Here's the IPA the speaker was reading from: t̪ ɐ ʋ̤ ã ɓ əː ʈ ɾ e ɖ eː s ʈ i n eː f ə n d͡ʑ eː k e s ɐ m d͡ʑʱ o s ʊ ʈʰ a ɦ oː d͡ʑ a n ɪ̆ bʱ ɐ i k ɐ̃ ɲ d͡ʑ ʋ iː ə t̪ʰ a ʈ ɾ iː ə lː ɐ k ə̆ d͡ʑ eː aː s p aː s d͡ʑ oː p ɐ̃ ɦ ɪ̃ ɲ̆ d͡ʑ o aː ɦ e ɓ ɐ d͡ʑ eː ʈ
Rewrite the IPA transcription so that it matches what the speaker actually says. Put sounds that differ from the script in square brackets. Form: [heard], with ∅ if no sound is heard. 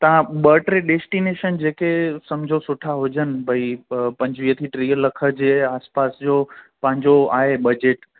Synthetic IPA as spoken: t̪ ɐ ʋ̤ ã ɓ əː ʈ ɾ e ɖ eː s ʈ i n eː [ʃ] ə n d͡ʑ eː k e s ɐ m d͡ʑʱ o s ʊ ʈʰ a ɦ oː d͡ʑ [ə] n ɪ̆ bʱ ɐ i [p] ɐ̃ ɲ d͡ʑ ʋ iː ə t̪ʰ [i] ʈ ɾ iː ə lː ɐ [kʰ] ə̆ d͡ʑ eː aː s p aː s d͡ʑ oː p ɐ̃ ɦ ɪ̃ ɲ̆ d͡ʑ o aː ɦ e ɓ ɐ d͡ʑ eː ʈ

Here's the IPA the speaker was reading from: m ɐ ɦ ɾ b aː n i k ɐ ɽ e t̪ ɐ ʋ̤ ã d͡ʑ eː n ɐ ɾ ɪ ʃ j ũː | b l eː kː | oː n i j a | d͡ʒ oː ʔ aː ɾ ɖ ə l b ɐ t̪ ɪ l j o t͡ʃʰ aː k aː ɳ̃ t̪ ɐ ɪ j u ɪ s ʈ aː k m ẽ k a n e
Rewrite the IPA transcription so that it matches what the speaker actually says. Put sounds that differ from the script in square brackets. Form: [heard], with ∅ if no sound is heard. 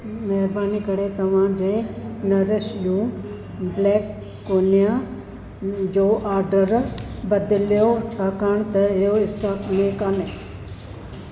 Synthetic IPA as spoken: m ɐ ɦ ɾ b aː n i k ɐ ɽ e t̪ ɐ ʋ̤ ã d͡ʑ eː n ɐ ɾ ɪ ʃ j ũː | b l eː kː | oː n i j a | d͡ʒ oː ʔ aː ɾ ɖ ə [ɾ] b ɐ [d̪] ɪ l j o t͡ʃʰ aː k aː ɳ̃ t̪ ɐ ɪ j [o] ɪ s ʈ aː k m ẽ k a n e

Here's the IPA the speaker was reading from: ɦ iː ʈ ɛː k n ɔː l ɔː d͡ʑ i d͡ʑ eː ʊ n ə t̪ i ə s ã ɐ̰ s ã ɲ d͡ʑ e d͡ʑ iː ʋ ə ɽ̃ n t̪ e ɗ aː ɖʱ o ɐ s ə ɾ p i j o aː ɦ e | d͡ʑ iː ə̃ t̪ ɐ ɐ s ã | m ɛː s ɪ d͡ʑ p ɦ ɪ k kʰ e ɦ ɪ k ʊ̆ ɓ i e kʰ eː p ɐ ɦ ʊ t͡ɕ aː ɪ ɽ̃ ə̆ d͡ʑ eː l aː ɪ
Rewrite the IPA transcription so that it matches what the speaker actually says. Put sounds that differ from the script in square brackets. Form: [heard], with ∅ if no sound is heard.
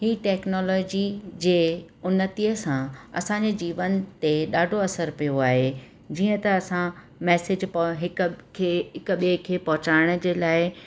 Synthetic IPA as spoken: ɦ iː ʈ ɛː k n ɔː l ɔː d͡ʑ i d͡ʑ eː ʊ n ə t̪ i ə s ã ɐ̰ s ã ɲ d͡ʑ e d͡ʑ iː ʋ ə [∅] n t̪ e ɗ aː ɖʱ o ɐ s ə ɾ p i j o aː ɦ e | d͡ʑ iː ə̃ t̪ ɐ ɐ s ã | m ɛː s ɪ d͡ʑ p ɦ ɪ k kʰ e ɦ ɪ k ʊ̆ ɓ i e kʰ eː p ɐ ɦ ʊ t͡ɕ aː ɪ ɽ̃ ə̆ d͡ʑ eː l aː ɪ

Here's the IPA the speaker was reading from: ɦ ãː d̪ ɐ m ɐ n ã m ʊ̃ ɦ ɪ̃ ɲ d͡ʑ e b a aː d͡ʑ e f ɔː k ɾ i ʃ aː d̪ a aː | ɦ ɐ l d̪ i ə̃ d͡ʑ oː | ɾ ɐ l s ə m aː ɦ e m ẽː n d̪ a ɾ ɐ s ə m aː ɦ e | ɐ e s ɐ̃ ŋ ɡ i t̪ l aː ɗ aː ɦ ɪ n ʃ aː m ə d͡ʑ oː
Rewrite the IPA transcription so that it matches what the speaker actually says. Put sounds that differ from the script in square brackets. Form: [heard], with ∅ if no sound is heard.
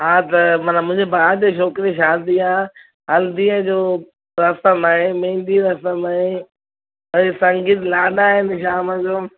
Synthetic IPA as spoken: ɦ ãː [t̪] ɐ m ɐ n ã m ʊ̃ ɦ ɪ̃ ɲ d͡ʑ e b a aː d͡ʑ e [ʃ] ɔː k ɾ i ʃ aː d̪ [i] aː | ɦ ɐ l d̪ i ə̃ d͡ʑ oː | ɾ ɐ [∅] s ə m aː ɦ e m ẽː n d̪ [i] ɾ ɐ s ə m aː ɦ e | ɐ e s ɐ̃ ŋ ɡ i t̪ l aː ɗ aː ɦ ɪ n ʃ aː m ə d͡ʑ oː

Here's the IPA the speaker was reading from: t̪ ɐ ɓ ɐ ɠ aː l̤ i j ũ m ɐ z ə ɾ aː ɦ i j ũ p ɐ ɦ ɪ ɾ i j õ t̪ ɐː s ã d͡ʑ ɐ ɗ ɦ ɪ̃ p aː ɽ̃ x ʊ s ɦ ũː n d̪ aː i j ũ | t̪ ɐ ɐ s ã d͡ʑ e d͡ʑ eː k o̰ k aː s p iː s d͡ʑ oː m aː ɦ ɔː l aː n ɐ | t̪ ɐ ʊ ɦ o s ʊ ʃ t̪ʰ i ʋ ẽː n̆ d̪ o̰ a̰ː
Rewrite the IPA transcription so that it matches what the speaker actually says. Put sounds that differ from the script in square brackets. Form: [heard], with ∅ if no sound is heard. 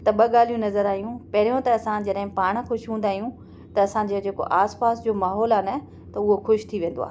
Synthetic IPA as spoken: t̪ ɐ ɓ ɐ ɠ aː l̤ i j ũ [n] ɐ z ə ɾ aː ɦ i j ũ p ɐ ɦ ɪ ɾ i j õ t̪ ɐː s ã d͡ʑ ɐ ɗ ɦ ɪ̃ p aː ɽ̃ x ʊ [ʃ] ɦ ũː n d̪ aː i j ũ | t̪ ɐ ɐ s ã d͡ʑ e d͡ʑ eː k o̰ [ʔ] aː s p [aː] s d͡ʑ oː m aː ɦ ɔː l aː n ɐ | t̪ ɐ ʊ ɦ o [x] ʊ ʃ t̪ʰ i ʋ ẽː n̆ d̪ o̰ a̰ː

